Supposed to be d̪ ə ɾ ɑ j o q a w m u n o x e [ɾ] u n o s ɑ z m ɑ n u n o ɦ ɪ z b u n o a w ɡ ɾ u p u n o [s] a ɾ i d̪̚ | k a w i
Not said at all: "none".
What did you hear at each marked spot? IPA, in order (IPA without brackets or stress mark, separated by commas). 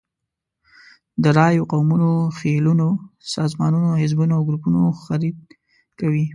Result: l, x